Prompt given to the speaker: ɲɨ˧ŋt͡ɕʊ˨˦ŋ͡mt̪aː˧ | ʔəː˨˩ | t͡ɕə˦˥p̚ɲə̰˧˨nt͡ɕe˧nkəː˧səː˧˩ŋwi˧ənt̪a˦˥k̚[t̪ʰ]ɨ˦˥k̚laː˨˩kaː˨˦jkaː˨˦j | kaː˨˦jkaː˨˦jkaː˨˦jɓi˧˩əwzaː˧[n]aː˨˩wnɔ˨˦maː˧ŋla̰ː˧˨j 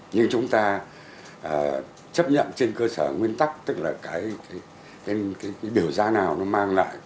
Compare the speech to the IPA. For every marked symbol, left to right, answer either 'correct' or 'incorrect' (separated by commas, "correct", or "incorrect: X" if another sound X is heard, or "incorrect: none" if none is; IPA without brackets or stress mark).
incorrect: t̪, correct